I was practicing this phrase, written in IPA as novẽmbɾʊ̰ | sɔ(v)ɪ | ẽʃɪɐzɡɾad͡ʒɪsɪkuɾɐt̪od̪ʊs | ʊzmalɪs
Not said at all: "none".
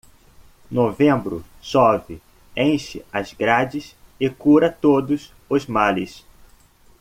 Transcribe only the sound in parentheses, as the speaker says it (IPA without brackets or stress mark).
v